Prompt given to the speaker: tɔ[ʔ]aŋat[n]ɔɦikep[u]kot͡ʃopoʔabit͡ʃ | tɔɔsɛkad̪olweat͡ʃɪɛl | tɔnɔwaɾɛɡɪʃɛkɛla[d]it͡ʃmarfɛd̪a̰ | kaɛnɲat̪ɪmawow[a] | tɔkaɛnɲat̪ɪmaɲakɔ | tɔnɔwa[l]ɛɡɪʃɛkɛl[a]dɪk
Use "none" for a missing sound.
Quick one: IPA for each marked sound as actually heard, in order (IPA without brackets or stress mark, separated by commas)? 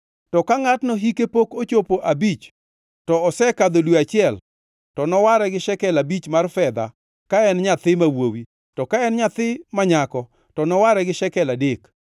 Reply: k, n, o, b, i, ɾ, a